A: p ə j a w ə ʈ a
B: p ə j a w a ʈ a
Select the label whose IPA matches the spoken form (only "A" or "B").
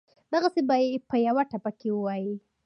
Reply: B